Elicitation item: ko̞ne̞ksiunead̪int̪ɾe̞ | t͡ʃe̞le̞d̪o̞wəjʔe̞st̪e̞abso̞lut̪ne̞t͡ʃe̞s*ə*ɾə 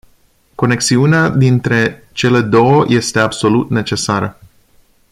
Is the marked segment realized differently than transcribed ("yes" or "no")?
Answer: yes